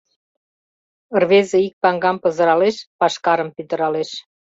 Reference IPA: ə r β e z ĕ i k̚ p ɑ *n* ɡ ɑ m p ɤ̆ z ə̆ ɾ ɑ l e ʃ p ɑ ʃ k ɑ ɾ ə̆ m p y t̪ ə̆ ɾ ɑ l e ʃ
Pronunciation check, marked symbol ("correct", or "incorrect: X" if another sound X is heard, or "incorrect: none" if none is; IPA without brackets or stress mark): incorrect: ŋ